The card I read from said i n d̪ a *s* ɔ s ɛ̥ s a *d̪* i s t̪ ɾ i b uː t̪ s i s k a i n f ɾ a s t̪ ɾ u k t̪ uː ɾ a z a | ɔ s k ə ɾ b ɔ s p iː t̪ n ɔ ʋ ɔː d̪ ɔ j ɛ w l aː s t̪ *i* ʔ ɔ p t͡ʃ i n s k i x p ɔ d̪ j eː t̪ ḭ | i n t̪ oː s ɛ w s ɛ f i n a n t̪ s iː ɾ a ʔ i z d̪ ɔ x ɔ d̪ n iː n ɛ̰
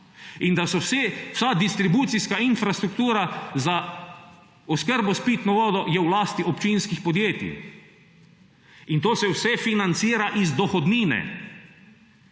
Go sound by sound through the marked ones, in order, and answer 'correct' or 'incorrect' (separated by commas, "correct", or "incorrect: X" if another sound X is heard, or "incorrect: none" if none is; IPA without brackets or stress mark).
correct, correct, correct